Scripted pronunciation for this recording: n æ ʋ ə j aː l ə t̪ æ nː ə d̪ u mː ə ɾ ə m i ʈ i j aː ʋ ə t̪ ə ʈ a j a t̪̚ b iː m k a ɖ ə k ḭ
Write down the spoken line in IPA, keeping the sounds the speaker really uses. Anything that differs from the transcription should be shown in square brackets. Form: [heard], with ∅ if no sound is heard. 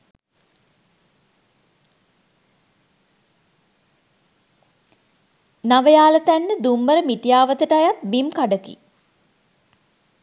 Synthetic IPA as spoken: n [a] ʋ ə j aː l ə t̪ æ nː ə d̪ u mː ə ɾ ə m i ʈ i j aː ʋ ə t̪ ə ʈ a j a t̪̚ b [i] m k a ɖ ə k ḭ